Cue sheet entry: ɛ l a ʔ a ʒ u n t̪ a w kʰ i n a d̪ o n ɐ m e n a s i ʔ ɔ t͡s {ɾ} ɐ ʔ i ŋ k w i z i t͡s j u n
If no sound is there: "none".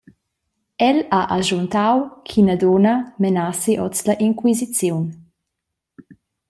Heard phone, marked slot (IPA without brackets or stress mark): l